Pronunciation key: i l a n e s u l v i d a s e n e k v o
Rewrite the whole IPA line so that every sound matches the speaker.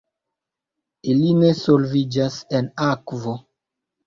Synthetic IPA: i l i n e s o l v i d͡ʒ a s e n a k v o